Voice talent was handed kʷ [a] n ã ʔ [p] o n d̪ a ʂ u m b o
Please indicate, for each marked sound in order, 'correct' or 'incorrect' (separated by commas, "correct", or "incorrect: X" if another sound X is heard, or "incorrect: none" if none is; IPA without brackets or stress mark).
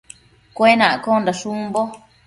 incorrect: e, incorrect: k